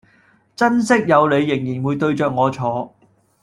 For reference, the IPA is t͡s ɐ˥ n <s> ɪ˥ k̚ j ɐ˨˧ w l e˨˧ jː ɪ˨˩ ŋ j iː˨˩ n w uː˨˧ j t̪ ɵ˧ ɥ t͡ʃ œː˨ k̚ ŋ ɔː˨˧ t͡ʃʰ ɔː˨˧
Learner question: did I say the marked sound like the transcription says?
yes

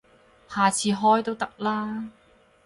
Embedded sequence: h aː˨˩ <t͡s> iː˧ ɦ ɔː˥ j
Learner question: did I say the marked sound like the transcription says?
no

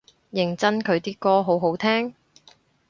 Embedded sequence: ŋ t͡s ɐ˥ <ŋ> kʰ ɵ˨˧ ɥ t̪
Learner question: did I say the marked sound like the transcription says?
no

